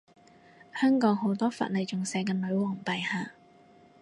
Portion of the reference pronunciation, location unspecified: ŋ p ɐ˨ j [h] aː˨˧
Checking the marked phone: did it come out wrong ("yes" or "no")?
no